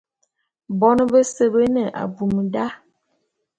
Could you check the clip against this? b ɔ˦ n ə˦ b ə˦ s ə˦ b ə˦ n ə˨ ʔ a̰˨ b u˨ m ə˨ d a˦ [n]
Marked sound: incorrect: none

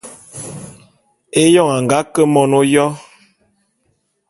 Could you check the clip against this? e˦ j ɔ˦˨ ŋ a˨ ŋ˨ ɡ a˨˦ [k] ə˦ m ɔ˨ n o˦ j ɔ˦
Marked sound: correct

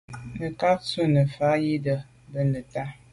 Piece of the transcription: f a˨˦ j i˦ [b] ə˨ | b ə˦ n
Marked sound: incorrect: d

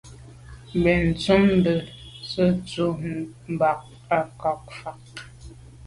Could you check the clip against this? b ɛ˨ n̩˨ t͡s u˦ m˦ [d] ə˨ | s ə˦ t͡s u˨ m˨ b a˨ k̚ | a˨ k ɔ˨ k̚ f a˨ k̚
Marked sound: incorrect: b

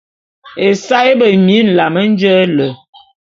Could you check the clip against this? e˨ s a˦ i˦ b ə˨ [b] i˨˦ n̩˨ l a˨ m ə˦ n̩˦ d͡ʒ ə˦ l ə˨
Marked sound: incorrect: m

